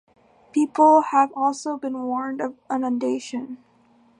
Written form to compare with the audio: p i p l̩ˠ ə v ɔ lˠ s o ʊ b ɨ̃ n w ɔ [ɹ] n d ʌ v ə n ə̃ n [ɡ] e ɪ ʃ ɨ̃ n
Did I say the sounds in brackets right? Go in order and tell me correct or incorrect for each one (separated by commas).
correct, incorrect